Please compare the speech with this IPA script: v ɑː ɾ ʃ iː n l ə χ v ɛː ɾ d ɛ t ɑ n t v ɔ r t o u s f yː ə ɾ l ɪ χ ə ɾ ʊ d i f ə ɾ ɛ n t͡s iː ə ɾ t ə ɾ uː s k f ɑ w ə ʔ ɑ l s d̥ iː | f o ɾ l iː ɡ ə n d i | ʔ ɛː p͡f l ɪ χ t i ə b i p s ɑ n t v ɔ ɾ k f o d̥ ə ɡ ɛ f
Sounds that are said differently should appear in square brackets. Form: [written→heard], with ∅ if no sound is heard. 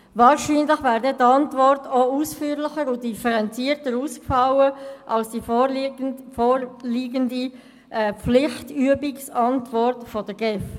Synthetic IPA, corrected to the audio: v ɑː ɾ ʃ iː n l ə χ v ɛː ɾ d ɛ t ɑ n t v ɔ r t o u s f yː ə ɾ l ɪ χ ə ɾ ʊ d i f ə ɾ ɛ n t͡s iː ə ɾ t ə ɾ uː s k f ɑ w ə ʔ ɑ l s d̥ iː | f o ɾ l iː ɡ ə n d i | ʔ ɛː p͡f l ɪ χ t [i→y] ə b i [p→k] s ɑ n t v ɔ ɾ [k→t] f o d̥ ə ɡ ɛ f